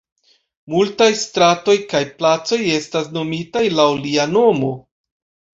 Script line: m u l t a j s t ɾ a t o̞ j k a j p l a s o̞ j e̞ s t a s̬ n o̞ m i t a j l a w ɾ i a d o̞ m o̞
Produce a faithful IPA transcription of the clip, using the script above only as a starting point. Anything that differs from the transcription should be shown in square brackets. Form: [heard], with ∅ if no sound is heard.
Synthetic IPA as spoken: m u l t a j s t ɾ a t o̞ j k a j p l a [t͡s] o̞ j e̞ s t a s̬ n o̞ m i t a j l a w [l] i a [n] o̞ m o̞